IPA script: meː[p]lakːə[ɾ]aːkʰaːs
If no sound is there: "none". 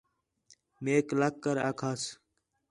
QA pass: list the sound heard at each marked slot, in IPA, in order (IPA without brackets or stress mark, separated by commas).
k, ɾ